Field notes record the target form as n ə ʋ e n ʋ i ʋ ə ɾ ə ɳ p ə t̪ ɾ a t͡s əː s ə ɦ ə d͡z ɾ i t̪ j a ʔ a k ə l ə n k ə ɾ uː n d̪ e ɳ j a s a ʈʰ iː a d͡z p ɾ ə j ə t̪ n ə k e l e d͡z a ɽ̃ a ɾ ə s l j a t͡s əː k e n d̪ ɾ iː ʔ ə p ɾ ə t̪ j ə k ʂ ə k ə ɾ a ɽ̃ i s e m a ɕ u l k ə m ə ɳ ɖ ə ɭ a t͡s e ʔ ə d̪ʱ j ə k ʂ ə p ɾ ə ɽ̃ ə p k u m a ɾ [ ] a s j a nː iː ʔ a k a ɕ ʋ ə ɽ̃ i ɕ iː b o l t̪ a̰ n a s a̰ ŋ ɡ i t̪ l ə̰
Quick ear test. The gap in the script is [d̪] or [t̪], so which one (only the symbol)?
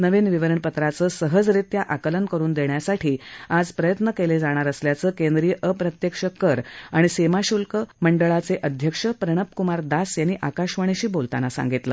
d̪